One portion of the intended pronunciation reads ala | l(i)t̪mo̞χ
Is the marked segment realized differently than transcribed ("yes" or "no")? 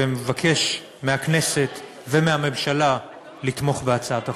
no